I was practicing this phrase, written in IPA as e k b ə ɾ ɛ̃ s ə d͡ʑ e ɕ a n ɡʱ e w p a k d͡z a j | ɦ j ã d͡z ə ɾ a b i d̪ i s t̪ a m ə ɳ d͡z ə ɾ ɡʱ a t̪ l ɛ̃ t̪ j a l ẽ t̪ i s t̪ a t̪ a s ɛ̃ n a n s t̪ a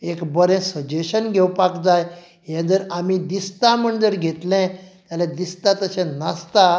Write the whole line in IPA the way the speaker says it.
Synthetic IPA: e k b ə ɾ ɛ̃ s ə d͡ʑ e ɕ ə n ɡʱ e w p a k d͡z a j | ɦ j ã d͡z ə ɾ a m i d̪ i s t̪ a m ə ɳ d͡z ə ɾ ɡʱ e t̪ l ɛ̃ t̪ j a l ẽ d̪ i s t̪ a t̪ ə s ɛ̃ n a s t̪ a